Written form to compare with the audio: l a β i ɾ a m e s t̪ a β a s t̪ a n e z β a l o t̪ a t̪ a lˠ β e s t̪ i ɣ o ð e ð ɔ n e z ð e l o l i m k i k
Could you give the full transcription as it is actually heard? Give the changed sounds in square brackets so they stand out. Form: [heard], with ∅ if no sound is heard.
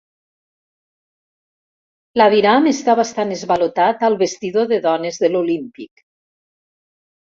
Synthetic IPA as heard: l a β i ɾ a m e s t̪ a β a s t̪ a n e z β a l o t̪ a t̪ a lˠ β e s t̪ i [ð] o ð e ð ɔ n e z ð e l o l i m [p] i k